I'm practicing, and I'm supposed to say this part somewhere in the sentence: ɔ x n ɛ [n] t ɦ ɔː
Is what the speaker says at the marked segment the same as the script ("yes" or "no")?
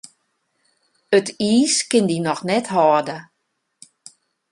no